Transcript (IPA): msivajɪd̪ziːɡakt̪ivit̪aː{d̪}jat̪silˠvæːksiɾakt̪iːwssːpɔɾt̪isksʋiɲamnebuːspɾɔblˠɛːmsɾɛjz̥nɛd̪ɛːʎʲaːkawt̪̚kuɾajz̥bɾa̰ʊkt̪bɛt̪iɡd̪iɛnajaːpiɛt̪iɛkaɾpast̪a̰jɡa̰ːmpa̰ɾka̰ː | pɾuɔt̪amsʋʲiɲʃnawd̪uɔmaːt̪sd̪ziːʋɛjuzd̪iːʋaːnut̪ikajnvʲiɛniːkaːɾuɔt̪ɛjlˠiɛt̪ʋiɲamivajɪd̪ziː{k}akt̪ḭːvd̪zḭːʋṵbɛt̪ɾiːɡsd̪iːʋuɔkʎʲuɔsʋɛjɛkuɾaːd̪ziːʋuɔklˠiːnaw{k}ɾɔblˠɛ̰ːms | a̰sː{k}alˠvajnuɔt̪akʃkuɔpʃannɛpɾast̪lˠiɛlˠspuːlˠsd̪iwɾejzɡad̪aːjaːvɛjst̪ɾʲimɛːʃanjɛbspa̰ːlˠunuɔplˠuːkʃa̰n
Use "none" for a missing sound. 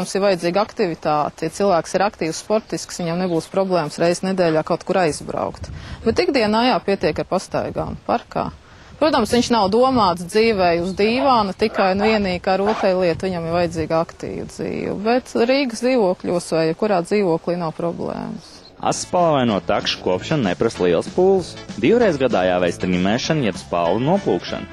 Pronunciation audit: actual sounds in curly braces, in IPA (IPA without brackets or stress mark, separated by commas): t̪, ɡ, p, p